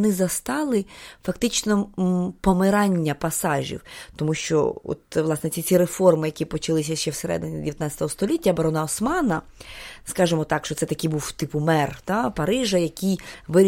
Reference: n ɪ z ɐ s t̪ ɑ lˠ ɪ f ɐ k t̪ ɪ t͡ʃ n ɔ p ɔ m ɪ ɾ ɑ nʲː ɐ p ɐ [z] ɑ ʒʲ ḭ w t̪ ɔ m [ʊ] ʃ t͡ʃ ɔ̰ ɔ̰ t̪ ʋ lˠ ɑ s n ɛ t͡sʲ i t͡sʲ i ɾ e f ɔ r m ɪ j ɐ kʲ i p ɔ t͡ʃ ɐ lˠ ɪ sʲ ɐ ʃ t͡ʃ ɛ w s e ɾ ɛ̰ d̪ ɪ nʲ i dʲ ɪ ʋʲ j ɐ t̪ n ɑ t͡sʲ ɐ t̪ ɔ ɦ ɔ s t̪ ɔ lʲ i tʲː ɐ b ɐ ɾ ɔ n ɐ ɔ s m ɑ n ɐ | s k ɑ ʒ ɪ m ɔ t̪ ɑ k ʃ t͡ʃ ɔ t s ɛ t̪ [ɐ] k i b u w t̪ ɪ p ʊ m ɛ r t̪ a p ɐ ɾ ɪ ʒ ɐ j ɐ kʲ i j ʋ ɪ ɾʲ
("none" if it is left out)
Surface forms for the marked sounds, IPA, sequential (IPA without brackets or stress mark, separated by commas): s, u, ɐ